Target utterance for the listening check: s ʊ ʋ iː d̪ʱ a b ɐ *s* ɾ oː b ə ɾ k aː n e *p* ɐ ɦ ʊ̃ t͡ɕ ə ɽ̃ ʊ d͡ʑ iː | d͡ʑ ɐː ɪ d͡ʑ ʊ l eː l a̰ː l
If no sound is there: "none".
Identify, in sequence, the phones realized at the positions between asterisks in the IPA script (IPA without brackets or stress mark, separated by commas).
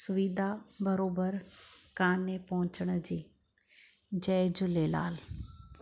none, p